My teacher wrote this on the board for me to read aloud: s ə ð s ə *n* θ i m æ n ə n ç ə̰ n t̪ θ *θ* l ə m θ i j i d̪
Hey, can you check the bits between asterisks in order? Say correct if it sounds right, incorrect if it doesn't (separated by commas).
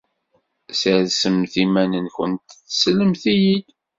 incorrect, incorrect